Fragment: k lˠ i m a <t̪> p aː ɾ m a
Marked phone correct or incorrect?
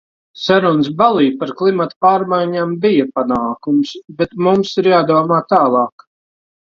correct